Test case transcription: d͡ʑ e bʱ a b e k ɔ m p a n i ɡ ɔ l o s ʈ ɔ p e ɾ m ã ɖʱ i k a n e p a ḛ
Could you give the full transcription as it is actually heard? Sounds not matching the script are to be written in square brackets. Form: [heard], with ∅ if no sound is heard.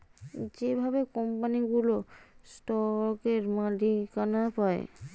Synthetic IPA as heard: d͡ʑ e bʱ a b e k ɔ m p a n i ɡ [u] l o s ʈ ɔ [k] e ɾ m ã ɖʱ i k a n [a] p a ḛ